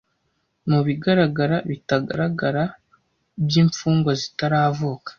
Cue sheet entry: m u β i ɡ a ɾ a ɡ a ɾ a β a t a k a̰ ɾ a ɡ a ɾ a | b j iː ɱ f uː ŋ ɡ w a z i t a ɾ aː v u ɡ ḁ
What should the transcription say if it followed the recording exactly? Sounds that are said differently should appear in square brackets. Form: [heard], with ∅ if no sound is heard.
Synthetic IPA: m u β i ɡ a ɾ a ɡ a ɾ a β [i] t a [ɡ] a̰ ɾ a ɡ a ɾ a | b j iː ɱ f uː ŋ ɡ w a z i t a ɾ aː v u [k] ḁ